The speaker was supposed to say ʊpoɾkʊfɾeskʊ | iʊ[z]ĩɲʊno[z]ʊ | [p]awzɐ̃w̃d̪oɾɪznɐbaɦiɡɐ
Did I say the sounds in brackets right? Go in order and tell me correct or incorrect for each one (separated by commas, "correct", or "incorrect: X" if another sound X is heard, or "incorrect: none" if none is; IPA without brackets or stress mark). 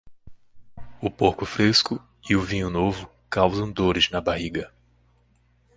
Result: incorrect: v, incorrect: v, incorrect: k